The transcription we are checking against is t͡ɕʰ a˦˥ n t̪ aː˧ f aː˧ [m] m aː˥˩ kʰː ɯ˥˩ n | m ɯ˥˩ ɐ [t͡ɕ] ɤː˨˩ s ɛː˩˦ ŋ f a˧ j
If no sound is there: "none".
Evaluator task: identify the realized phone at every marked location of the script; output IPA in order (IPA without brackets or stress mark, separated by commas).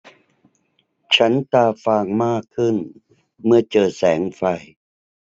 ŋ, t͡ɕ